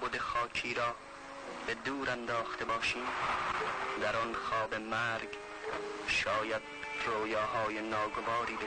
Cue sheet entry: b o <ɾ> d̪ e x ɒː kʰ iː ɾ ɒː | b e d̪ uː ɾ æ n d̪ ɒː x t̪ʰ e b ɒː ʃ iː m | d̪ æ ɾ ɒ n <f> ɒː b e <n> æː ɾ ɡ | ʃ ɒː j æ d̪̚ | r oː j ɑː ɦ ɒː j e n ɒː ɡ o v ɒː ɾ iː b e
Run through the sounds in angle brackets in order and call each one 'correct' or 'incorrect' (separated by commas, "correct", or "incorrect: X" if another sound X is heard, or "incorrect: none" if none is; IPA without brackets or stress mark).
incorrect: none, incorrect: x, incorrect: m